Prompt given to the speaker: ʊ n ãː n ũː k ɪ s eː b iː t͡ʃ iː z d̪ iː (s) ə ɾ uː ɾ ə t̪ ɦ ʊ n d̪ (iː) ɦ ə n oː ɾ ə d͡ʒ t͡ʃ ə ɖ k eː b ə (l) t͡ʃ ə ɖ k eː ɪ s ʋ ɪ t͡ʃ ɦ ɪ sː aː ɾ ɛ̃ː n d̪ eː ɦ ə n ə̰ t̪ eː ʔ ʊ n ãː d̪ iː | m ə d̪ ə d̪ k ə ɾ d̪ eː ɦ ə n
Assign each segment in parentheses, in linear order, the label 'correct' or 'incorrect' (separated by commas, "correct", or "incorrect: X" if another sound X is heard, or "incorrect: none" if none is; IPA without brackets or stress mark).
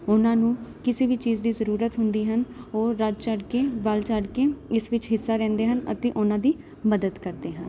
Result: incorrect: z, correct, correct